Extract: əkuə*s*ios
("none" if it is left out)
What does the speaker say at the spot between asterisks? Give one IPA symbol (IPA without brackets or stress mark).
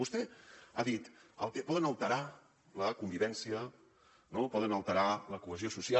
z